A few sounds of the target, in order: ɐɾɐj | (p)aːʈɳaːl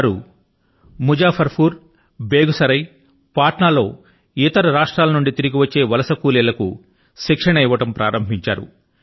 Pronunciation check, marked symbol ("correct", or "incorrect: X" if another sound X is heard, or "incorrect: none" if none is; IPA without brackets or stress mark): correct